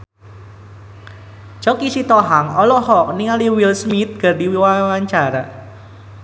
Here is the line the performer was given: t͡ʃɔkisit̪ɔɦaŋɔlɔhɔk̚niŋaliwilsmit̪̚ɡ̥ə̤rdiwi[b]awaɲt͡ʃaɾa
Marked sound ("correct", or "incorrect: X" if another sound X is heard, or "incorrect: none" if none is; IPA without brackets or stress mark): incorrect: w